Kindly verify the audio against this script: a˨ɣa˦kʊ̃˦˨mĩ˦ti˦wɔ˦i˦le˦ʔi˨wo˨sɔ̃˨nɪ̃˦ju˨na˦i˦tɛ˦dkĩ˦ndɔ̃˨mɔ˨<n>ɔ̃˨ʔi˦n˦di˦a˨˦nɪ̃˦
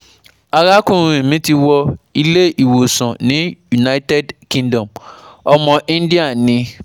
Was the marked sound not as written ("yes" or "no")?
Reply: yes